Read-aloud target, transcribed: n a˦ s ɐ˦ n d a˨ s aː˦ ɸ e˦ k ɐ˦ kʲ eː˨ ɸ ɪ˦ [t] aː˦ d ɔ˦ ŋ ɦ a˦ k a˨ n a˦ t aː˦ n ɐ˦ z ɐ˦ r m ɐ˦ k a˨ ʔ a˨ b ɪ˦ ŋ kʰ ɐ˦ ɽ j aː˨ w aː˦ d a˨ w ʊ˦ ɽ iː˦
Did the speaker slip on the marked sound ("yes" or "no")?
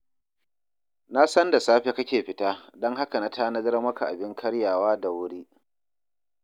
no